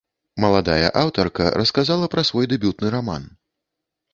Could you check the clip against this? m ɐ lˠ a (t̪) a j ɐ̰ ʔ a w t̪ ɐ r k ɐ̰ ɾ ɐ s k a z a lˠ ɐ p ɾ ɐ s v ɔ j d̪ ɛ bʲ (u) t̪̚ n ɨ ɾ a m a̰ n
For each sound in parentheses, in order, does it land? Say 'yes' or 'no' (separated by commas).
no, yes